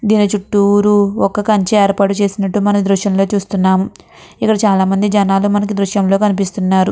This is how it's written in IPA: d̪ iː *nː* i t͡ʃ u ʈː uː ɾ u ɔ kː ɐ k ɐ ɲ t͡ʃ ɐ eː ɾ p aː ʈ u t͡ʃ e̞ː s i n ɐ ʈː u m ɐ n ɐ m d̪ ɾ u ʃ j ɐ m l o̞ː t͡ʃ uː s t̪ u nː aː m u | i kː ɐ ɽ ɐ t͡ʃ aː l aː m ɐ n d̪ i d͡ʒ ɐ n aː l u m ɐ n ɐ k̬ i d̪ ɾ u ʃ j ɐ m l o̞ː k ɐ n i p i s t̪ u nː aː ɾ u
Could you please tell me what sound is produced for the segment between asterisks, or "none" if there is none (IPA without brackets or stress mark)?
n